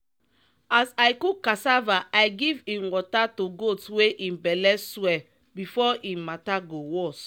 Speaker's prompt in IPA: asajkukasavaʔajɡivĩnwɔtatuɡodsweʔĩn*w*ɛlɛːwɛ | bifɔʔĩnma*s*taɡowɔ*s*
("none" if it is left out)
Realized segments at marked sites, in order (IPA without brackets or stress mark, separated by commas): b, none, s